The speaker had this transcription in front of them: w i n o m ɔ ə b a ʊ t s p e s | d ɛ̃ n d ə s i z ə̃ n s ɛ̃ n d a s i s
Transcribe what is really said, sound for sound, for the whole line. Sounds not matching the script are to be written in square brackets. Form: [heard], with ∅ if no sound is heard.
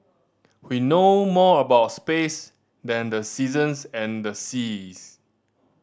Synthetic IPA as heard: w i n o m ɔ ə b a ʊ t s p e s | d ɛ̃ n d ə s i z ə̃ n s ɛ̃ n d [ə] s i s